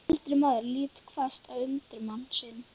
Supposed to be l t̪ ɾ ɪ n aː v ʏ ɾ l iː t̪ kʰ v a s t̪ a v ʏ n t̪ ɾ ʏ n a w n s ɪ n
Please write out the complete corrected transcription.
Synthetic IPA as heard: l t̪ ɾ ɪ m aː ð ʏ ɾ l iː t̪ kʰ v a s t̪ a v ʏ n t̪ ɾ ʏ m a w n s ɪ n